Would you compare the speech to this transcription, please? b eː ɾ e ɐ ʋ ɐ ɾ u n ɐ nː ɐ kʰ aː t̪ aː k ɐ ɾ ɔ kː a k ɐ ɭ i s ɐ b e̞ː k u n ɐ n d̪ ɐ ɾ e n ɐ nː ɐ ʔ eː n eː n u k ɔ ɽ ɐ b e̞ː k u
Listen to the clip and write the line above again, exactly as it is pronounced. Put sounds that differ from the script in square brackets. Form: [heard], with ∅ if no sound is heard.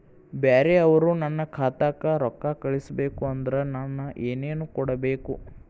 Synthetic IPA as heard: b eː ɾ e ɐ ʋ ɐ ɾ u n ɐ nː ɐ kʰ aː t̪ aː k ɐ ɾ ɔ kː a k ɐ ɭ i s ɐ b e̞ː k u [∅] ɐ n d̪ ɐ ɾ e n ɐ nː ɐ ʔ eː n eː n u k ɔ ɽ ɐ b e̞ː k u